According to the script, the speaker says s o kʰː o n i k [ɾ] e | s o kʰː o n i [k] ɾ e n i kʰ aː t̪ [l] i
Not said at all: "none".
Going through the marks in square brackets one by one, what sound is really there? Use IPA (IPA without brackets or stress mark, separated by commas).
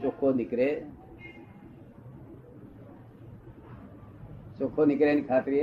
ɾ, k, ɾ